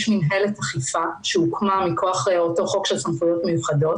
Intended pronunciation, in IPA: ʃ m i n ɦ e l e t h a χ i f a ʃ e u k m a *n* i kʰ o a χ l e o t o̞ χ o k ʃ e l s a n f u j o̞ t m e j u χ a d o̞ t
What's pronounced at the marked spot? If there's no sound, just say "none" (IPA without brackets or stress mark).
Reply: m